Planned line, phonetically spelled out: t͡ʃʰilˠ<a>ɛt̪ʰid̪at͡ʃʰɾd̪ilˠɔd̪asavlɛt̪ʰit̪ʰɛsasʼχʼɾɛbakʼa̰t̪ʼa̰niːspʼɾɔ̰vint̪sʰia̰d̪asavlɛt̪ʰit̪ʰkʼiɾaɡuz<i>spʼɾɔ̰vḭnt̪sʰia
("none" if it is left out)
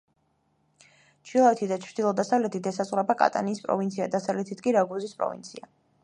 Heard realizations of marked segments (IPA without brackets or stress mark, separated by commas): a, i